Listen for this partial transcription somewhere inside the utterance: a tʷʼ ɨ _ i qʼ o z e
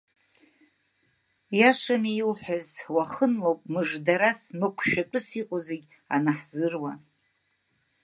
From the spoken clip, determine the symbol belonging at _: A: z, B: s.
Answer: B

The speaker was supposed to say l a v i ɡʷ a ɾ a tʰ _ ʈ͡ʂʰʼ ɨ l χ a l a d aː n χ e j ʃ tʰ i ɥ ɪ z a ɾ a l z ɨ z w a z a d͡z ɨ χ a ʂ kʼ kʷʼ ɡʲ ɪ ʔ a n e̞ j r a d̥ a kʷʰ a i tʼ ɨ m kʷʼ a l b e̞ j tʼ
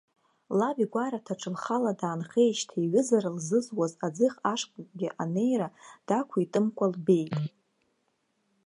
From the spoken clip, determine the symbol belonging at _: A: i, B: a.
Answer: B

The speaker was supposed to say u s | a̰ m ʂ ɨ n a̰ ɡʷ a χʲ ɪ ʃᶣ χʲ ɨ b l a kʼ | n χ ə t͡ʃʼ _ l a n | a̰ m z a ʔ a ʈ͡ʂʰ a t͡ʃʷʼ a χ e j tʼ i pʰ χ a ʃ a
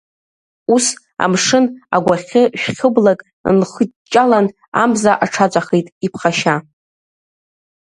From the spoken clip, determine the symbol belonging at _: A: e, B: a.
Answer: B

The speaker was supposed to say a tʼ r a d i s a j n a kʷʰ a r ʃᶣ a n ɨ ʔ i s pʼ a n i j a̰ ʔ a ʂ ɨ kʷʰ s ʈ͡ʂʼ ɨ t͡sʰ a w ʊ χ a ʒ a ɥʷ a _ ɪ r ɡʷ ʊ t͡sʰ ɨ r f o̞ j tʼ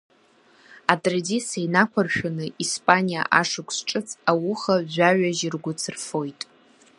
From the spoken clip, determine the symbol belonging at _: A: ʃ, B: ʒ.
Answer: B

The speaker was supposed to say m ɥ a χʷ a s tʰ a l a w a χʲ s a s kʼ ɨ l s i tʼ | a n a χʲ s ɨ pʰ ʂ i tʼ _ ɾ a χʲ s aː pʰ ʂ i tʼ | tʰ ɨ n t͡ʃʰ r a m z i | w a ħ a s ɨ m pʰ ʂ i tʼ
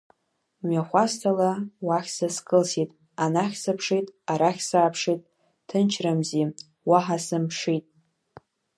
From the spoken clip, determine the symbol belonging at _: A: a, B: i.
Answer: A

